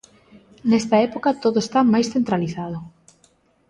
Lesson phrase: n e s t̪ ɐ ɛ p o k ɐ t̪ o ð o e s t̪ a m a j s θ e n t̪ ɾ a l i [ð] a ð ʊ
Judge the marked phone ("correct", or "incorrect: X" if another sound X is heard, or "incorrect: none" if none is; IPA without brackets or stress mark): incorrect: θ